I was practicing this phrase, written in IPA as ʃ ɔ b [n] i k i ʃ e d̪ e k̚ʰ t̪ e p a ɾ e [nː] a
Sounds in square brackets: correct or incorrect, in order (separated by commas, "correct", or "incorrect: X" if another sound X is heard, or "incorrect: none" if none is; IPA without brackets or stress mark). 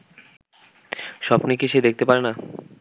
correct, incorrect: n